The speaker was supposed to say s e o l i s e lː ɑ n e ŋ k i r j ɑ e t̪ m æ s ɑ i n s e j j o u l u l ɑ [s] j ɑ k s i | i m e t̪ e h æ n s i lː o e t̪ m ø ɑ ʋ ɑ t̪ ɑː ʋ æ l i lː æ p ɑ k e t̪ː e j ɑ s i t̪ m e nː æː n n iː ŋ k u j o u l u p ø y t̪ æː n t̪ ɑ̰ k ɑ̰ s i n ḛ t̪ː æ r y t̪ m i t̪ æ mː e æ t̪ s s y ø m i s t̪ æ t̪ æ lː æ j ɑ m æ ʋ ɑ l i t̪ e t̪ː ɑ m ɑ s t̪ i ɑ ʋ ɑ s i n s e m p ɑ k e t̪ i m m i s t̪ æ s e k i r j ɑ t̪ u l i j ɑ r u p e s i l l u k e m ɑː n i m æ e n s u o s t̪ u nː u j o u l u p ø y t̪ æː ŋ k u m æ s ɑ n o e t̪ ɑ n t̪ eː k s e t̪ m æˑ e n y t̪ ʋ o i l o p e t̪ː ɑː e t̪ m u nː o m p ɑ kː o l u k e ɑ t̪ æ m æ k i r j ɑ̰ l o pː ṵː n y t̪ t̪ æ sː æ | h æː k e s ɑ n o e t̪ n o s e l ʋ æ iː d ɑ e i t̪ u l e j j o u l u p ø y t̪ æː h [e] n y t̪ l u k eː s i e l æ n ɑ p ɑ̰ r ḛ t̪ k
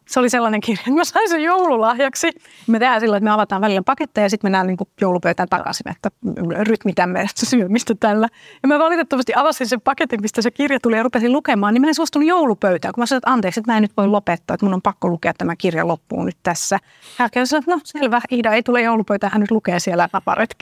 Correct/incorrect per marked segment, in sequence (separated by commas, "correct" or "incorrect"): incorrect, incorrect